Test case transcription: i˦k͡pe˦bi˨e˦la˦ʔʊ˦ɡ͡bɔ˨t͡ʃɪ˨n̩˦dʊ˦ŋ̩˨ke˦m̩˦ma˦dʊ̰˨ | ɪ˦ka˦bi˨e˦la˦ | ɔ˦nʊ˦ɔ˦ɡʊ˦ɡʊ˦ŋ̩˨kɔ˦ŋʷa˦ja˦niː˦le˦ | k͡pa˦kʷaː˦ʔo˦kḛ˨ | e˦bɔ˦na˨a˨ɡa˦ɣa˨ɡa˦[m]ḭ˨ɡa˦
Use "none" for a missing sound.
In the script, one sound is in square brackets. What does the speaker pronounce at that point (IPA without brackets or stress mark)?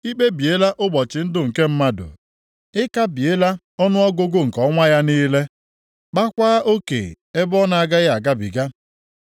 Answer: b